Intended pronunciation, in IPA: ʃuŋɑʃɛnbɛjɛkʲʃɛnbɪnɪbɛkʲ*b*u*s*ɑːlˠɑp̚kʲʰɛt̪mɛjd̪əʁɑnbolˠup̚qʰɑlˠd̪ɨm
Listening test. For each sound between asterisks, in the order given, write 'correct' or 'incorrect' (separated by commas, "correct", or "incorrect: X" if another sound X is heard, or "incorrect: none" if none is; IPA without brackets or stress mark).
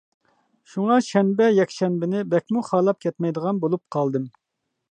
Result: incorrect: m, incorrect: χ